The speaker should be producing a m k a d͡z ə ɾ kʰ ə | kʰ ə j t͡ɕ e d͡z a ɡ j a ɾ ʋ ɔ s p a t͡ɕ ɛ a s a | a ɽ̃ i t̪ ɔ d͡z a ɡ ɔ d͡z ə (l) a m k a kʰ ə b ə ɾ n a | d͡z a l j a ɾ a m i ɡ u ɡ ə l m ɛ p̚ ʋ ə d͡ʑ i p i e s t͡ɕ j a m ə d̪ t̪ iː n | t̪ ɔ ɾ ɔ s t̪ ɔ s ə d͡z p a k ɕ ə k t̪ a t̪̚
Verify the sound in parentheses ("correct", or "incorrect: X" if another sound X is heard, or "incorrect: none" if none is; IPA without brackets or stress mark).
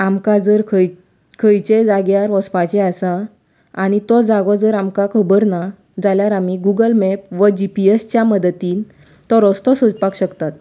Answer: incorrect: ɾ